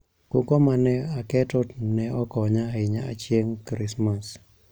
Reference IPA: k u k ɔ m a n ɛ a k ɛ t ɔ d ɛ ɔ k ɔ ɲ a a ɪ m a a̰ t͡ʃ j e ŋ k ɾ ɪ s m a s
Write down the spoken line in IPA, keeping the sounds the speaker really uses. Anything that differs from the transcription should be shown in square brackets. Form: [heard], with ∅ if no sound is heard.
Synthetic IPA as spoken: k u k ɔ m a n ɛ a k ɛ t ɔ [n] ɛ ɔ k ɔ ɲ a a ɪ [ɲ] a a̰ t͡ʃ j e ŋ k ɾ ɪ s m a s